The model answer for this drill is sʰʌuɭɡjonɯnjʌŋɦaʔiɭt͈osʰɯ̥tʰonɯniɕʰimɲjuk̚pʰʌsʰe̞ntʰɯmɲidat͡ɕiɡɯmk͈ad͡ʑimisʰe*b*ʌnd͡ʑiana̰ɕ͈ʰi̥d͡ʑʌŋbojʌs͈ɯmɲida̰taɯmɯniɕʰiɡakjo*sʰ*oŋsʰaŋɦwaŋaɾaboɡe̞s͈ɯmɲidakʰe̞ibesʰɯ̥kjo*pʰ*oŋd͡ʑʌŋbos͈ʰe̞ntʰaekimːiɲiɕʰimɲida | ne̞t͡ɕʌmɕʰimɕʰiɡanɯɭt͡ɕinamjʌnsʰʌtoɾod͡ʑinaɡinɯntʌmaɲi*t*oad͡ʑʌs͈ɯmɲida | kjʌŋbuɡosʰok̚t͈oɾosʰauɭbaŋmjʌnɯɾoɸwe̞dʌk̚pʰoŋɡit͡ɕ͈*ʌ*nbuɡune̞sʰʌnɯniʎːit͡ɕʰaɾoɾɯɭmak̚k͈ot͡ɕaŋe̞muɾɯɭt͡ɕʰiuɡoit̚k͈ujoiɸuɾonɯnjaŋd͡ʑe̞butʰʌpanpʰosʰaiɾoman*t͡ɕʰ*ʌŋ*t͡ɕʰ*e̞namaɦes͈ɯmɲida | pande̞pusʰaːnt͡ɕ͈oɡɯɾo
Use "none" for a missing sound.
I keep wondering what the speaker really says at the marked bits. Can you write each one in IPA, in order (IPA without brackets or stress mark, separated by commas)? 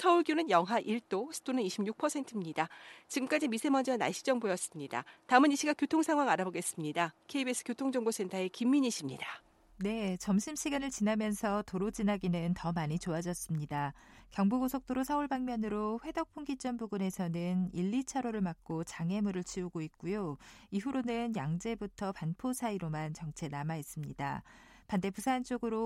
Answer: m, tʰ, tʰ, t͡ɕ, ʌ, t͡ɕ, t͡ɕʰ